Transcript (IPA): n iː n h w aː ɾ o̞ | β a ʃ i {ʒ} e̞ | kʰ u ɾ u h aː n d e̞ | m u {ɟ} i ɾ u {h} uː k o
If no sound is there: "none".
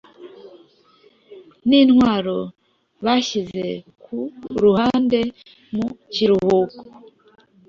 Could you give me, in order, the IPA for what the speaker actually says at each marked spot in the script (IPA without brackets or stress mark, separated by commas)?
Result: z, c, h